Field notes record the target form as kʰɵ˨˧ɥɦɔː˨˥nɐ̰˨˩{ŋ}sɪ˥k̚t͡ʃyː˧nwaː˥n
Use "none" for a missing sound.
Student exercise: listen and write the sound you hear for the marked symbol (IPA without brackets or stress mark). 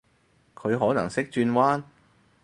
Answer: ŋ